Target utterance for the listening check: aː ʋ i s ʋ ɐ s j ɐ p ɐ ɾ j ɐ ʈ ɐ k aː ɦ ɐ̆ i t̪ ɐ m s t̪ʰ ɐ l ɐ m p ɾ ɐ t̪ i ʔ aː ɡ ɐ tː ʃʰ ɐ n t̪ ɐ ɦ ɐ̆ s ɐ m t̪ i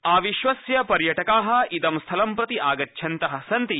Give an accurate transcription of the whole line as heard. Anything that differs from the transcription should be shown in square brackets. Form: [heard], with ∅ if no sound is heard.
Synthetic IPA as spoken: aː ʋ i [ʃ] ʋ ɐ s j ɐ p ɐ ɾ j ɐ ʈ ɐ k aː ɦ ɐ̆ i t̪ ɐ m s t̪ʰ ɐ l ɐ m p ɾ ɐ t̪ i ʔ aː ɡ ɐ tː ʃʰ ɐ n t̪ ɐ ɦ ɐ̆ s ɐ [n] t̪ i

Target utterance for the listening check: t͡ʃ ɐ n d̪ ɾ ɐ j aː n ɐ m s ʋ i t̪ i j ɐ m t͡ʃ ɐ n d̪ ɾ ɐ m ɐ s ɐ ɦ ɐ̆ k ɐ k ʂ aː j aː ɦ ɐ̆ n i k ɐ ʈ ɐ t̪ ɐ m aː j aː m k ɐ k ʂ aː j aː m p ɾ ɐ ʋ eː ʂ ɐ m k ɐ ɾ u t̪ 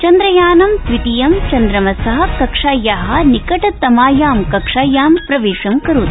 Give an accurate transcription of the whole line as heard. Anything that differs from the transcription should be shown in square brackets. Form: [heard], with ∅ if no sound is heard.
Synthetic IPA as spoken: t͡ʃ ɐ n d̪ ɾ ɐ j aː n ɐ m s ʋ i t̪ i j ɐ m t͡ʃ ɐ n d̪ ɾ ɐ m ɐ s ɐ ɦ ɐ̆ k ɐ k ʂ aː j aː ɦ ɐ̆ n i k ɐ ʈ ɐ t̪ ɐ m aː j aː m k ɐ k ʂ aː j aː m p ɾ ɐ ʋ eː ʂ ɐ m k ɐ ɾ u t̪

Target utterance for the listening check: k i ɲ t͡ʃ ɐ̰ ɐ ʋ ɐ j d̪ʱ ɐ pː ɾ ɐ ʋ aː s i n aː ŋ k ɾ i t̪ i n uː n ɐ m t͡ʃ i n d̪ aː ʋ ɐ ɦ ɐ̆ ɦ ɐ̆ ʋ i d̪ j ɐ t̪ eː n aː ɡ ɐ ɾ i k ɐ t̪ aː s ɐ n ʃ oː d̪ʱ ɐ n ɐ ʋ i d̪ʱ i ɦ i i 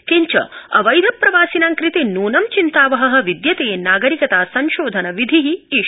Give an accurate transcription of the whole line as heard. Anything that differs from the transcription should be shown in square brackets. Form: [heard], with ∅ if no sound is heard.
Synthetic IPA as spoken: k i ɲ t͡ʃ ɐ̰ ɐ ʋ ɐ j d̪ʱ ɐ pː ɾ ɐ ʋ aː s i n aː ŋ k ɾ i t̪ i n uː n ɐ m t͡ʃ i n [t̪] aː ʋ ɐ ɦ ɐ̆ ɦ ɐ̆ ʋ i d̪ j ɐ t̪ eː n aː ɡ ɐ ɾ i k ɐ t̪ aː s ɐ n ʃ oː d̪ʱ ɐ n ɐ ʋ i d̪ʱ i ɦ i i

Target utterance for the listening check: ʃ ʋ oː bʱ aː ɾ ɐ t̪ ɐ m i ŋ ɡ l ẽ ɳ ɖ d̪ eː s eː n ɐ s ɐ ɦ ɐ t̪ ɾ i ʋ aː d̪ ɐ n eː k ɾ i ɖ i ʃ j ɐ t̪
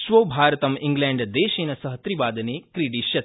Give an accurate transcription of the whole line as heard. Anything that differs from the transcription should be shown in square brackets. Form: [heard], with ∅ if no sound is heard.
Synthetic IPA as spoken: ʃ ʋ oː bʱ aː ɾ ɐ t̪ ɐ m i ŋ ɡ l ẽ ɳ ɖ d̪ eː [ʃ] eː n ɐ s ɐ ɦ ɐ t̪ ɾ i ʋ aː d̪ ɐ n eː k ɾ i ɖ i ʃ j ɐ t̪

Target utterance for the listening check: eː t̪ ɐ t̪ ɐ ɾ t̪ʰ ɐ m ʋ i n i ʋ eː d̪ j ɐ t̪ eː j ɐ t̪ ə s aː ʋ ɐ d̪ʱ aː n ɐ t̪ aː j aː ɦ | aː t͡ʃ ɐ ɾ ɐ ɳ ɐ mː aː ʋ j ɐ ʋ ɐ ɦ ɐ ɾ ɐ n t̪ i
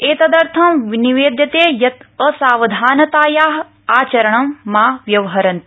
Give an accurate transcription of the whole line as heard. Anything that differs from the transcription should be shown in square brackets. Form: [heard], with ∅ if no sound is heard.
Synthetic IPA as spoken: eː t̪ ɐ [d̪] ɐ ɾ t̪ʰ ɐ m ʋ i n i ʋ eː d̪ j ɐ t̪ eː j ɐ t̪ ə s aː ʋ ɐ d̪ʱ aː n ɐ t̪ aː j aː ɦ | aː t͡ʃ ɐ ɾ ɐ ɳ ɐ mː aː ʋ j ɐ ʋ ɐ ɦ ɐ ɾ ɐ n t̪ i

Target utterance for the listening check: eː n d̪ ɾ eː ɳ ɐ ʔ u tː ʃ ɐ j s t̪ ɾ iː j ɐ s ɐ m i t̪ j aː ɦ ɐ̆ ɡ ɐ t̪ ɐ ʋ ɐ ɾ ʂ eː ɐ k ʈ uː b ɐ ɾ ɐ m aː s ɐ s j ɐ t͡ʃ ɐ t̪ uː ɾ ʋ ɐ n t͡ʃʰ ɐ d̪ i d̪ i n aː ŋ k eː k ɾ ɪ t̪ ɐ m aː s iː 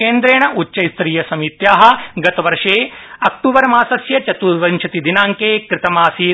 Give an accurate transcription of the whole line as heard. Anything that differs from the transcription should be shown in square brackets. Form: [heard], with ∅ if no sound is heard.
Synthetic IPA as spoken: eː n d̪ ɾ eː ɳ ɐ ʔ u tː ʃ ɐ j s t̪ ɾ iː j ɐ s ɐ m i t̪ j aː ɦ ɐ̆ ɡ ɐ t̪ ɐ ʋ ɐ ɾ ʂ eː ɐ k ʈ uː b ɐ ɾ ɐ m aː s ɐ s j ɐ t͡ʃ ɐ t̪ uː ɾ ʋ ɐ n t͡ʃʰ ɐ [t̪] i d̪ i n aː ŋ k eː k ɾ ɪ t̪ ɐ m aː s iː

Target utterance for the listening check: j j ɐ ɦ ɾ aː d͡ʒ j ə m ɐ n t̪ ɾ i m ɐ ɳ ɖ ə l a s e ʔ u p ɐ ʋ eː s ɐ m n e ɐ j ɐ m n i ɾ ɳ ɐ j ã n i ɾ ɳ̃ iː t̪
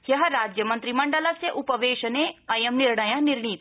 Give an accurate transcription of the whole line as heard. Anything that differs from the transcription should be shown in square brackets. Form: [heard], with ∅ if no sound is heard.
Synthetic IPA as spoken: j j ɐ ɦ ɾ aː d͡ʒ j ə m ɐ n t̪ ɾ i m ɐ ɳ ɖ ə l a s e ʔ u p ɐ ʋ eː [ʃ] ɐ [∅] n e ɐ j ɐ m n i ɾ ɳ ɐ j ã n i ɾ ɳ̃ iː t̪

